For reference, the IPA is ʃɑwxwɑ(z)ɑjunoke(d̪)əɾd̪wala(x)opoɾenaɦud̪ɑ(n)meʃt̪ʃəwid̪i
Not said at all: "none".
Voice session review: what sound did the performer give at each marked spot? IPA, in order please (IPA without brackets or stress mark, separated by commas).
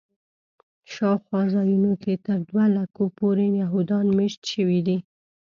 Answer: z, t̪, k, n